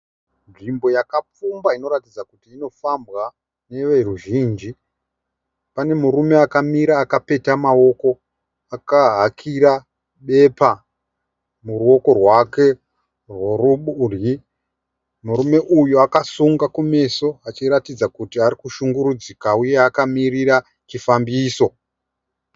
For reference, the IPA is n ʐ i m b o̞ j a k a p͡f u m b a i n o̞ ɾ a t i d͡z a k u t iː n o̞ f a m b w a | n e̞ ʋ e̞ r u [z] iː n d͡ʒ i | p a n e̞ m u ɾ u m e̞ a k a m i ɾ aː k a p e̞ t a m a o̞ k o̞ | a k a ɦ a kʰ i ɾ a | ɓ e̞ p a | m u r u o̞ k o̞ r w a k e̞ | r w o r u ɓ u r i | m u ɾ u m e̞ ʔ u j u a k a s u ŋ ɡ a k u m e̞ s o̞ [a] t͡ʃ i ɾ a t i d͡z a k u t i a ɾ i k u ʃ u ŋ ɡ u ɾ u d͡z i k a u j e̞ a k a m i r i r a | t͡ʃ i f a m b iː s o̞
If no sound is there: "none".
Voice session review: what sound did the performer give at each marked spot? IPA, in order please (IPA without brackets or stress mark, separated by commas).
ʒ, a